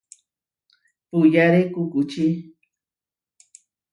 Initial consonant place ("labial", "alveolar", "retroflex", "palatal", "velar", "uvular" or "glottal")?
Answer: labial